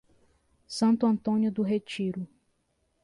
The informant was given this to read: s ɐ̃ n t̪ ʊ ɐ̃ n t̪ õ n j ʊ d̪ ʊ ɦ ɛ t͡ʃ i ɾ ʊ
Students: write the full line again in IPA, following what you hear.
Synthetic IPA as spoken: s ɐ̃ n t̪ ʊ ɐ̃ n t̪ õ n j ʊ d̪ ʊ ɦ e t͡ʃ i ɾ ʊ